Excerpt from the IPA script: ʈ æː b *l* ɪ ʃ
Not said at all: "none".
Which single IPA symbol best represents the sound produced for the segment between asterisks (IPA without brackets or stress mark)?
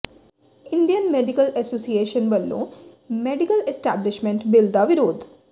l